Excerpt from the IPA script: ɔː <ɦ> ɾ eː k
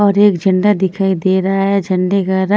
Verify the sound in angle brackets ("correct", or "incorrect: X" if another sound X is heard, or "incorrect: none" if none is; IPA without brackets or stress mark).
incorrect: none